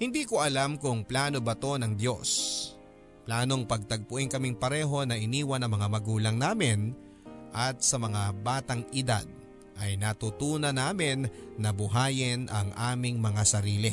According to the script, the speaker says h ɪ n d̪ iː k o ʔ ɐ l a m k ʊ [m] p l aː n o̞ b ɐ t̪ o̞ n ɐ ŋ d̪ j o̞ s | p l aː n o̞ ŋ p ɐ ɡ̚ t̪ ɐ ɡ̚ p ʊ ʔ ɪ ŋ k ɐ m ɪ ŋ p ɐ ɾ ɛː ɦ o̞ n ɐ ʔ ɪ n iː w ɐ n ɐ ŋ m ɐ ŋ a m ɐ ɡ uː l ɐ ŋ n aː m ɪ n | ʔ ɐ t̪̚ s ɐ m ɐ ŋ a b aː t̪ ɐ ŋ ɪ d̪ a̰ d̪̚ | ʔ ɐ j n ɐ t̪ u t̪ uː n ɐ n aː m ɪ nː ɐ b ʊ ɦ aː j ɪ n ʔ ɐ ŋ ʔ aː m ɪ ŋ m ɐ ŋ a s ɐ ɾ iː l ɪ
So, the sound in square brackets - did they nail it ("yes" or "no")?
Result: no